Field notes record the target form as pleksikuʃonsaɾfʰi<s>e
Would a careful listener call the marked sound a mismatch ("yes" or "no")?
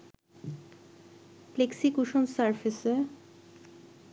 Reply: no